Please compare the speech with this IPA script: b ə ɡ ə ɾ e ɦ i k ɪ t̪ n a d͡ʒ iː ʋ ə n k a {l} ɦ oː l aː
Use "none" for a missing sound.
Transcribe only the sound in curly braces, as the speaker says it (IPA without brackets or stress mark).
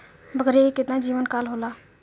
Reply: l